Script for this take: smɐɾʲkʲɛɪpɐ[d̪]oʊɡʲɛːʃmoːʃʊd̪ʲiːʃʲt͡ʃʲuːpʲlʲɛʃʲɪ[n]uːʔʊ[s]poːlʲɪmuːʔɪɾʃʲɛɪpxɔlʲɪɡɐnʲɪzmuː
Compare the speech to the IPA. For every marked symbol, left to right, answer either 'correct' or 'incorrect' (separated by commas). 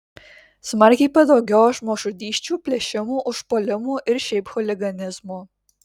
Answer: correct, incorrect, incorrect